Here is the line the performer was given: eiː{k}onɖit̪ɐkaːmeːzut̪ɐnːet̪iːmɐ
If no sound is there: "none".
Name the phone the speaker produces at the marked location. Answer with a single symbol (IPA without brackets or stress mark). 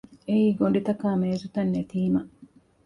ɡ